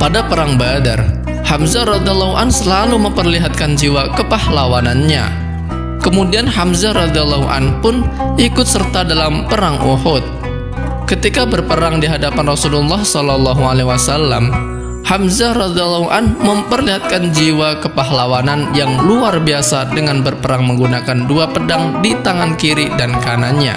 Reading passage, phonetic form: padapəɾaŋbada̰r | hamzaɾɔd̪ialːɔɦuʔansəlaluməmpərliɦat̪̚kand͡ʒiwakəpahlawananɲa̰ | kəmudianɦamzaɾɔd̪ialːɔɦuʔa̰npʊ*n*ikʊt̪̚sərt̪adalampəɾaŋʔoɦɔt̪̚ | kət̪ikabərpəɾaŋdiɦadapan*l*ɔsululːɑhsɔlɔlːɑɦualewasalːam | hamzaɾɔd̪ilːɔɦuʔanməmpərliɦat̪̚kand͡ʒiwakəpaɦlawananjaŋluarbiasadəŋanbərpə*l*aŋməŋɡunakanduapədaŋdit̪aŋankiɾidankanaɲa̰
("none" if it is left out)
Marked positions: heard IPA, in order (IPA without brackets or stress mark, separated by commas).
n, r, ɾ